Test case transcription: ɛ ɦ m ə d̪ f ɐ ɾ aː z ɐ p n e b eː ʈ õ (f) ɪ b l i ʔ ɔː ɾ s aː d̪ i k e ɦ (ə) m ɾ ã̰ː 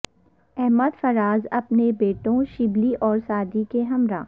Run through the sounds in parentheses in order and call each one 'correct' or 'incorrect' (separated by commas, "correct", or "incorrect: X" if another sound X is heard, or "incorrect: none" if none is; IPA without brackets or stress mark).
incorrect: ʃ, incorrect: ɐ